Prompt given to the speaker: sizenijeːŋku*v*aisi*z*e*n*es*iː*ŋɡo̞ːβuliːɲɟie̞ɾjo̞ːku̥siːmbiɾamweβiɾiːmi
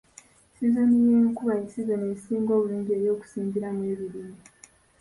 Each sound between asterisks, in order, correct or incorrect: incorrect, correct, correct, correct

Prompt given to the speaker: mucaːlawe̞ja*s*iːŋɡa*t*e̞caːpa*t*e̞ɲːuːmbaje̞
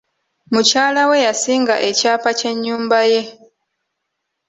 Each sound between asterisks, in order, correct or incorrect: correct, incorrect, incorrect

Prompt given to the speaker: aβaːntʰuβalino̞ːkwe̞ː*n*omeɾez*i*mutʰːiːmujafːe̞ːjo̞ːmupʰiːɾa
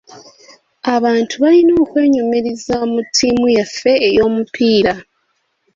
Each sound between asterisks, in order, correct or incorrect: incorrect, incorrect

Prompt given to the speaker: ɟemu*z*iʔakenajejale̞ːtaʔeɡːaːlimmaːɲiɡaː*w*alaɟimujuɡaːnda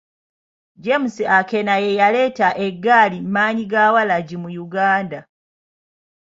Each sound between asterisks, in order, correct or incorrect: incorrect, correct

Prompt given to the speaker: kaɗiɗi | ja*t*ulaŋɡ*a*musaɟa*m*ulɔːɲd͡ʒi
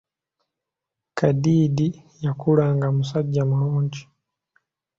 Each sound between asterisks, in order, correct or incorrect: incorrect, correct, correct

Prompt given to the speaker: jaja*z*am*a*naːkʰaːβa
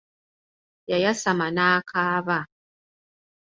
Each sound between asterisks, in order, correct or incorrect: incorrect, correct

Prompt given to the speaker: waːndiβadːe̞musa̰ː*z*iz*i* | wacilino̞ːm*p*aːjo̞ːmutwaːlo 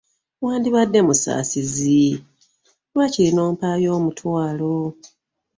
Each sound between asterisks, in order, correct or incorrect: incorrect, correct, correct

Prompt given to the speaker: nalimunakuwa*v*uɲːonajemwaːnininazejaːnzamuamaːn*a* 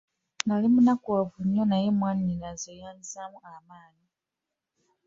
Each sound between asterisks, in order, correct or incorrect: correct, incorrect

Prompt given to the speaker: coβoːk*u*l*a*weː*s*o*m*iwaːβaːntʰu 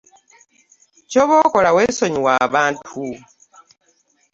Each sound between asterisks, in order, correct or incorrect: incorrect, correct, correct, incorrect

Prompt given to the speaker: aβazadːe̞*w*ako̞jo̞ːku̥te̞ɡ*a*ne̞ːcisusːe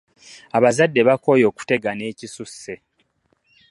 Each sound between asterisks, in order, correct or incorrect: incorrect, correct

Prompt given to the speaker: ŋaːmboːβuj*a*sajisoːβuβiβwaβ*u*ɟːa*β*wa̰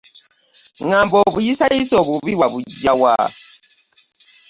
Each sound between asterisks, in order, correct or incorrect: incorrect, correct, incorrect

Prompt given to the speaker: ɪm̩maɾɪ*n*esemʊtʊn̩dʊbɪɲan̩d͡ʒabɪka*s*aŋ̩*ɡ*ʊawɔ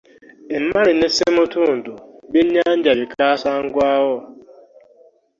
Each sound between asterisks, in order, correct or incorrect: correct, correct, correct

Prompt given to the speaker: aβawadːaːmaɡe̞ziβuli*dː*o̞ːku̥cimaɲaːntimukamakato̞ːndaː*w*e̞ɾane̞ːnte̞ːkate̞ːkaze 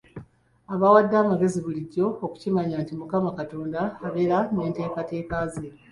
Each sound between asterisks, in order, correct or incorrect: incorrect, incorrect

